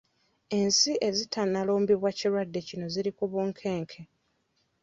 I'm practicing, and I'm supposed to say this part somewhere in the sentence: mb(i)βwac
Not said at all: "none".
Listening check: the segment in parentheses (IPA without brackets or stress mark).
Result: i